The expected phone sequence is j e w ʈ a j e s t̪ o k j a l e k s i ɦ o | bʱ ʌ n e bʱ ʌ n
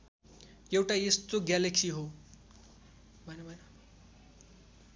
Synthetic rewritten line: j e w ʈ a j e s t̪ o ɡ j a l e k s i ɦ o | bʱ ʌ n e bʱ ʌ n